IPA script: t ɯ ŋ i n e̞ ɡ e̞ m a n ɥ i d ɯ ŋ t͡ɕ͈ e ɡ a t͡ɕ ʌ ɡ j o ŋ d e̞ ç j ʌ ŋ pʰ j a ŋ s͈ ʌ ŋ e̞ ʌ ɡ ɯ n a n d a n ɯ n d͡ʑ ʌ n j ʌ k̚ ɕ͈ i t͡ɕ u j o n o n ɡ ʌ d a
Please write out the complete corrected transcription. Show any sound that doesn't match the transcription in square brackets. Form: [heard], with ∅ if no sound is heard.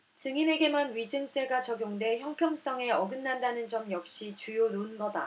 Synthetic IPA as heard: [t͡ɕ] ɯ ŋ i n e̞ ɡ e̞ m a n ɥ i [d͡ʑ] ɯ ŋ t͡ɕ͈ e ɡ a t͡ɕ ʌ ɡ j o ŋ d e̞ ç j ʌ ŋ pʰ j [ʌ] ŋ s͈ ʌ ŋ e̞ ʌ ɡ ɯ [nː] a n d a n ɯ n d͡ʑ ʌ [m] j ʌ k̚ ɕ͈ i t͡ɕ u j o n o n ɡ ʌ d a